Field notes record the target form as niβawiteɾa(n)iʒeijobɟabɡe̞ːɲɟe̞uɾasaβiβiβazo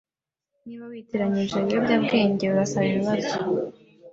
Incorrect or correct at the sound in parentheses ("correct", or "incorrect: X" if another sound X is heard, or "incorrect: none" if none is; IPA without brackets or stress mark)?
incorrect: ɲ